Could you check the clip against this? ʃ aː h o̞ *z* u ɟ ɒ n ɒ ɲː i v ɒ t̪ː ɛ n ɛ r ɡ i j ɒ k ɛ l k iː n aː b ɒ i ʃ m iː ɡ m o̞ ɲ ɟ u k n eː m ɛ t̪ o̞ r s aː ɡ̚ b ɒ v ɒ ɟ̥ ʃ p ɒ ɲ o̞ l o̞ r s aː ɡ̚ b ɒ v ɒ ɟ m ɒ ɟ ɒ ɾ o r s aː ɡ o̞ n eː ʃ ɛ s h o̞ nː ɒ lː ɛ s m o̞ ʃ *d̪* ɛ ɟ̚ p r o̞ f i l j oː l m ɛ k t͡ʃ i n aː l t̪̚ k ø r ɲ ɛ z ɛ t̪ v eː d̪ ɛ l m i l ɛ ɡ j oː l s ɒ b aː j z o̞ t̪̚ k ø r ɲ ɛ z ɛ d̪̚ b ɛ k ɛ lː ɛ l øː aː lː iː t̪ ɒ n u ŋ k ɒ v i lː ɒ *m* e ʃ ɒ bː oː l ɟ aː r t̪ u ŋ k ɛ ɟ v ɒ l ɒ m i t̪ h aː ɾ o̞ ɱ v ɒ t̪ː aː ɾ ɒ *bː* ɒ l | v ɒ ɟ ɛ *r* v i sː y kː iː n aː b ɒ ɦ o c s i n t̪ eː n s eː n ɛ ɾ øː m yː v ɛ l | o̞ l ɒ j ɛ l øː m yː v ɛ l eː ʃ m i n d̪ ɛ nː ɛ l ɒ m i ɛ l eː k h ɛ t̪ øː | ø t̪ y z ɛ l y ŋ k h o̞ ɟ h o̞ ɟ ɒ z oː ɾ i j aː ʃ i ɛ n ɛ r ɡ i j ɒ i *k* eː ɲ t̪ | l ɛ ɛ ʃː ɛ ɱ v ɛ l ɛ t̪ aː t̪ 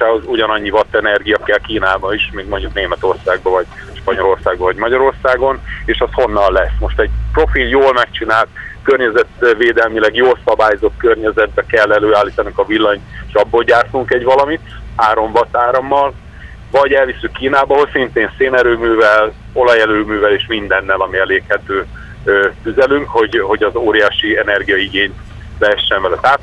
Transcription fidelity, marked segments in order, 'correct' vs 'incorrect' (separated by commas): correct, incorrect, incorrect, incorrect, incorrect, incorrect